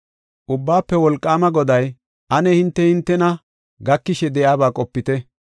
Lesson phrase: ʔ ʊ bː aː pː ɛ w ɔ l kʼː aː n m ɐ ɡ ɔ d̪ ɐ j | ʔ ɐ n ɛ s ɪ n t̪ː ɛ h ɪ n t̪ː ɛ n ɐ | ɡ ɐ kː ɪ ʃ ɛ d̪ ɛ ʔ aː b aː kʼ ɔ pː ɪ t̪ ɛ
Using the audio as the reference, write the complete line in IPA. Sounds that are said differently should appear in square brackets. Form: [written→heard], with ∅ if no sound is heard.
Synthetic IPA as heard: ʔ ʊ bː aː pː ɛ w ɔ l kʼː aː [n→∅] m ɐ ɡ ɔ d̪ ɐ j | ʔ ɐ n ɛ [s→h] ɪ n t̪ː ɛ h ɪ n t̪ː ɛ n ɐ | ɡ ɐ kː ɪ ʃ ɛ d̪ ɛ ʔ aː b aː kʼ ɔ pː ɪ t̪ ɛ